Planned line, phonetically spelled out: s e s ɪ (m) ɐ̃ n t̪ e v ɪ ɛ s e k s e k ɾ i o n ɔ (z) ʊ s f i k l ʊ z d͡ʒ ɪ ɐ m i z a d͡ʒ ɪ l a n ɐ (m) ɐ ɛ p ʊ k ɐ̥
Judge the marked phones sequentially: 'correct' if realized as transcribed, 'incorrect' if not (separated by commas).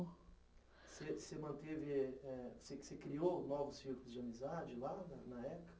correct, incorrect, incorrect